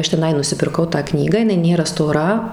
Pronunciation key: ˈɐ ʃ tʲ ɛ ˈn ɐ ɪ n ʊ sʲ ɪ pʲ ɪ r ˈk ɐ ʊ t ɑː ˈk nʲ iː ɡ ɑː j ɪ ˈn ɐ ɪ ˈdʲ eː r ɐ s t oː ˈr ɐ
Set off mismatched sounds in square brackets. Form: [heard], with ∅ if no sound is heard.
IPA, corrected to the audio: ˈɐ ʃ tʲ ɛ ˈn ɐ ɪ n ʊ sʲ ɪ pʲ ɪ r ˈk ɐ ʊ t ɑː ˈk nʲ iː ɡ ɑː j ɪ ˈn ɐ ɪ [ˈnʲ] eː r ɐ s t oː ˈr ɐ